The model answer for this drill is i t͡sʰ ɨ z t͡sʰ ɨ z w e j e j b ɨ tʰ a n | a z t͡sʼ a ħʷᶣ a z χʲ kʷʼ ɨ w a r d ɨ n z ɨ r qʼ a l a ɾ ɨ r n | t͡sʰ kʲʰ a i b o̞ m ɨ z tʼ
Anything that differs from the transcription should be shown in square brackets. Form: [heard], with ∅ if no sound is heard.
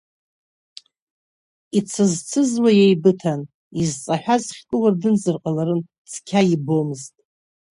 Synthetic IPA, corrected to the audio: i t͡sʰ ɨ z t͡sʰ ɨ z w [a] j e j b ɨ tʰ a n | [i] z t͡sʼ a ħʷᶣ a z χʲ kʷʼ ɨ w a r d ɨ n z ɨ r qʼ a l a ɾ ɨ [∅] n | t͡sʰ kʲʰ a i b o̞ m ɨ z tʼ